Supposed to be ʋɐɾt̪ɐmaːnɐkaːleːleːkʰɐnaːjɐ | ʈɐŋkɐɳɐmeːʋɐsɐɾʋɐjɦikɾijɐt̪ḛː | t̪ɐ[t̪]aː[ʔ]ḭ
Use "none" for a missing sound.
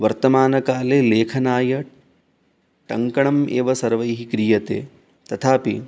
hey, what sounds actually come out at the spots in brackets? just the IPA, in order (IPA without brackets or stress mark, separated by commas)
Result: t̪ʰ, p